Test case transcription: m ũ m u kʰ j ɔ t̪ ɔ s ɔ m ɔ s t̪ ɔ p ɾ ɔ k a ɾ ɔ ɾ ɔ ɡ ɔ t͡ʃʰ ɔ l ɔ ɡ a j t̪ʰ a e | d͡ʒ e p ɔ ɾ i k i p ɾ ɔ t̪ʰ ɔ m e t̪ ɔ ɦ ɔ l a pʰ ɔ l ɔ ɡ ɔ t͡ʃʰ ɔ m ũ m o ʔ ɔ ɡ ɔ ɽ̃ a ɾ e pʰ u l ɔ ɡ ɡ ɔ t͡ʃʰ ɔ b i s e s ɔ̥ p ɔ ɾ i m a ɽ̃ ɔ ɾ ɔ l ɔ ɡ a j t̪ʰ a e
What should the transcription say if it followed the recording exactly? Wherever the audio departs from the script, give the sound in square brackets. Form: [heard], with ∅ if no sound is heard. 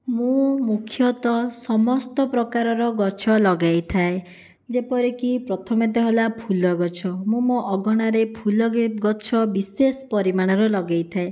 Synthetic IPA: m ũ m u kʰ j ɔ t̪ ɔ s ɔ m ɔ s t̪ ɔ p ɾ ɔ k a ɾ ɔ ɾ ɔ ɡ ɔ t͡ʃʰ ɔ l ɔ ɡ a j t̪ʰ a e | d͡ʒ e p ɔ ɾ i k i p ɾ ɔ t̪ʰ ɔ m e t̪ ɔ ɦ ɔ l a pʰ [u] l ɔ ɡ ɔ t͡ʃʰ ɔ m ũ m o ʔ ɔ ɡ ɔ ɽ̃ a ɾ e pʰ u l ɔ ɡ ɡ ɔ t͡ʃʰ ɔ b i s e s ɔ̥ p ɔ ɾ i m a ɽ̃ ɔ ɾ ɔ l ɔ ɡ a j t̪ʰ a e